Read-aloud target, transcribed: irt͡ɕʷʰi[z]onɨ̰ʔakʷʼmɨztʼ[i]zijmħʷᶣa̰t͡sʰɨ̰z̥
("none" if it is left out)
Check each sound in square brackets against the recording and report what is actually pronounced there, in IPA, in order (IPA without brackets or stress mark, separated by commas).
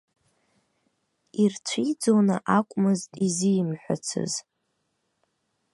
d͡z, i